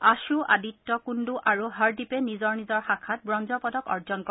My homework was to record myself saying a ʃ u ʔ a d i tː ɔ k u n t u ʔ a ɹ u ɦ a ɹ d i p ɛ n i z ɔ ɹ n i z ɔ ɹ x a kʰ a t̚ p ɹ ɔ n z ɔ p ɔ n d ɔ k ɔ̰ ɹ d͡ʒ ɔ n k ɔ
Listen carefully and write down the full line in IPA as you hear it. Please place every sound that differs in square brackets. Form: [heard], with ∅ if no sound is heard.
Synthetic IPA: a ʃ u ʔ a d i tː ɔ k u n [d] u ʔ a ɹ u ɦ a ɹ d i p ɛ n i z ɔ ɹ n i z ɔ ɹ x a kʰ a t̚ [b] ɹ ɔ n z ɔ p ɔ [∅] d ɔ k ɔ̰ ɹ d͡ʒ ɔ n k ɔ